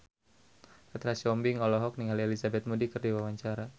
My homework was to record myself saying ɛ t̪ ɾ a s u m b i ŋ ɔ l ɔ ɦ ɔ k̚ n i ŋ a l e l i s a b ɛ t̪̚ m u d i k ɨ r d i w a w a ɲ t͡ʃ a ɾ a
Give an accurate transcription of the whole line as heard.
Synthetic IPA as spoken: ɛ t̪ ɾ a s ɔ m b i ŋ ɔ l ɔ ɦ ɔ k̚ n i ŋ a l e l i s a b ɛ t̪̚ m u d i k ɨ r d i w a w a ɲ t͡ʃ a ɾ a